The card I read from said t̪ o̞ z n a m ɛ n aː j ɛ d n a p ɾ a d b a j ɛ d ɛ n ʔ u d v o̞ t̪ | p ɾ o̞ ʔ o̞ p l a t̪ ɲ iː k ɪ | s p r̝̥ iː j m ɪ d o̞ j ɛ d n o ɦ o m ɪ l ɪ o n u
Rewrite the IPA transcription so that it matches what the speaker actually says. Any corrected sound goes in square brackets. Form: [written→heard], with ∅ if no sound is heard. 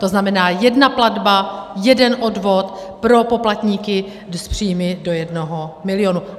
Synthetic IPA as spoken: t̪ o̞ z n a m ɛ n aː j ɛ d n a p [ɾ→l] a d b a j ɛ d ɛ n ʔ [u→o] d v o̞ t̪ | p ɾ o̞ [ʔ→p] o̞ p l a t̪ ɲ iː k ɪ | s p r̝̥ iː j m ɪ d o̞ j ɛ d n o ɦ o m ɪ l ɪ o n u